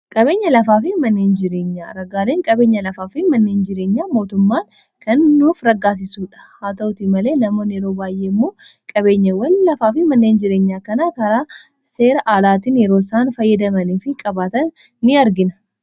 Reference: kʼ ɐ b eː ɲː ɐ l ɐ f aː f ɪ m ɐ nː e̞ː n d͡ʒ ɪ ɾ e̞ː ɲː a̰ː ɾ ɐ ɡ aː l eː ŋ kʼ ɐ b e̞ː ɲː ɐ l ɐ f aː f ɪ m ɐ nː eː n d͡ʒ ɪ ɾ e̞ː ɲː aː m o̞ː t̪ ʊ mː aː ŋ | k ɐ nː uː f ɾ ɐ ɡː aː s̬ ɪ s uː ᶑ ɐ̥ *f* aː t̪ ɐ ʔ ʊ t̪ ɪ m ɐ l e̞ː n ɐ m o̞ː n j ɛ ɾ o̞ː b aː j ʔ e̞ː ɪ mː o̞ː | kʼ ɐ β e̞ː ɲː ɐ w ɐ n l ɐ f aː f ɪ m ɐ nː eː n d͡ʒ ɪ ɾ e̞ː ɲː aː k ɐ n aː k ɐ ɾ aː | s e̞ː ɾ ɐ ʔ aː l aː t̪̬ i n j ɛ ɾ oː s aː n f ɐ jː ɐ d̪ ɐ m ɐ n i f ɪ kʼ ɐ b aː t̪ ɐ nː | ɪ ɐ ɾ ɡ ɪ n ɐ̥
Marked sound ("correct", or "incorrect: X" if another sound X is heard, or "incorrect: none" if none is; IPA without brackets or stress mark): incorrect: h